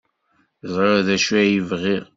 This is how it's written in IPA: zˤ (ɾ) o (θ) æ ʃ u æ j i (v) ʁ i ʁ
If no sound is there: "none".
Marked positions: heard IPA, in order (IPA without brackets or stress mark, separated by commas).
ɾ, ð, v